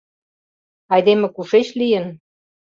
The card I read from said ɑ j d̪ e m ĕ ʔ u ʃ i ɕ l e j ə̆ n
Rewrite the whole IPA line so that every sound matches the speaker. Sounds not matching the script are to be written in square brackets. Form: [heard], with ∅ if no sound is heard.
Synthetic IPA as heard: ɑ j d̪ e m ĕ [k] u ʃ [e] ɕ l [i] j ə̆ n